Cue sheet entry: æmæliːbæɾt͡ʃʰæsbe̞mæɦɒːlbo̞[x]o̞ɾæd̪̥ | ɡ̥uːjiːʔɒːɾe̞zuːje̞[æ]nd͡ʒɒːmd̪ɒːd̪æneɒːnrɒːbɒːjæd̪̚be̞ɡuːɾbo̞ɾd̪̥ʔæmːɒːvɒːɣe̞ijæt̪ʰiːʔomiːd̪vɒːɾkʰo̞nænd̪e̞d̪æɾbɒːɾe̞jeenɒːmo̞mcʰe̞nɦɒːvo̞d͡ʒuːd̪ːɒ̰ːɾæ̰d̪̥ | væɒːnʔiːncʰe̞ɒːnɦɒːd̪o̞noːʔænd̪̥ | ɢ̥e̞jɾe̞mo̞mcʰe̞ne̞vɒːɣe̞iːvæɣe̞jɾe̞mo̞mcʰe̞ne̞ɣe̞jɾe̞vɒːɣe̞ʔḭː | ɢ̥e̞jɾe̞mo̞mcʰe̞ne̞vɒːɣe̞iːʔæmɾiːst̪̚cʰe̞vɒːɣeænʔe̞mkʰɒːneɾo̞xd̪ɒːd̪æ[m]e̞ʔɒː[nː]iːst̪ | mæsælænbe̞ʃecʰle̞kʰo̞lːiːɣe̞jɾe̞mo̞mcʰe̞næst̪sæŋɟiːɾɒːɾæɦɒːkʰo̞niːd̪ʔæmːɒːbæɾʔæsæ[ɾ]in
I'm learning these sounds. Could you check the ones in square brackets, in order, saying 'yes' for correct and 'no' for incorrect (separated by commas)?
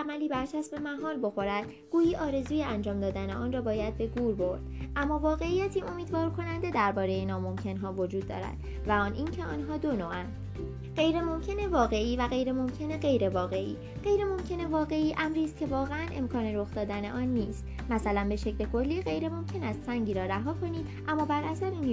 yes, yes, no, yes, yes